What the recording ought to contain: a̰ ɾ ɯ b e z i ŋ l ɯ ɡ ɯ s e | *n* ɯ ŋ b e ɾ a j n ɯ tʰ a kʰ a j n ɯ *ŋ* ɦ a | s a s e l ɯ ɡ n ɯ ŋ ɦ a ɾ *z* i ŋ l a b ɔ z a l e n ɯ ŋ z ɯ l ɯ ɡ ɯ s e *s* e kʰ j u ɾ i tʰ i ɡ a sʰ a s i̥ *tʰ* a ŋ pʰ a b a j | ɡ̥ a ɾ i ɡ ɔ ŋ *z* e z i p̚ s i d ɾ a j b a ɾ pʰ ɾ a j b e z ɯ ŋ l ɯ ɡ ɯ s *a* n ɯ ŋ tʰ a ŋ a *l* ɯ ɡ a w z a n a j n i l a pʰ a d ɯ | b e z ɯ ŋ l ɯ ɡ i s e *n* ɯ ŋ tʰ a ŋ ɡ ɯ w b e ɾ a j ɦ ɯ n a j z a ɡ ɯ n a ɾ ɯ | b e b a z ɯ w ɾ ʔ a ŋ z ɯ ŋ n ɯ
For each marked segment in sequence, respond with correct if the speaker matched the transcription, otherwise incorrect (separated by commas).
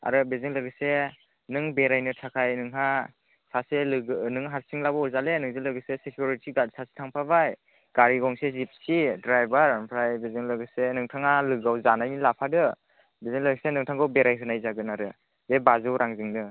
correct, correct, incorrect, correct, correct, incorrect, incorrect, correct, correct